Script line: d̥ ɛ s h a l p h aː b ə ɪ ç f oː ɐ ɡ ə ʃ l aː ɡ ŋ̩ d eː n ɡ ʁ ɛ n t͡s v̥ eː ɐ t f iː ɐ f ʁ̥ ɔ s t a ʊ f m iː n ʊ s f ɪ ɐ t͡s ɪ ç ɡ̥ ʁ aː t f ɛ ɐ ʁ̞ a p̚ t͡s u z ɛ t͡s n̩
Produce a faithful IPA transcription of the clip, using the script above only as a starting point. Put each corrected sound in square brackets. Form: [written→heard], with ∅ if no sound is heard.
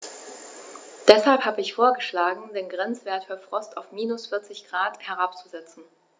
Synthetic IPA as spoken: d̥ ɛ s h a l p h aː b ə ɪ ç f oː ɐ ɡ ə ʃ l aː ɡ ŋ̩ d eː n ɡ ʁ ɛ n t͡s v̥ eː ɐ t f [iː→yː] ɐ f ʁ̥ ɔ s t a ʊ f m iː n ʊ s f ɪ ɐ t͡s ɪ ç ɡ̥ ʁ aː t [f→h] ɛ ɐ ʁ̞ a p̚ t͡s u z ɛ t͡s n̩